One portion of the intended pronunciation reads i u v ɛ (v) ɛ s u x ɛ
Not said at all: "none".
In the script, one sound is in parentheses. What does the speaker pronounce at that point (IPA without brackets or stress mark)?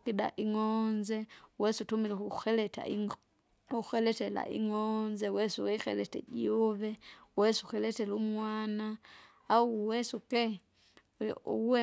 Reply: w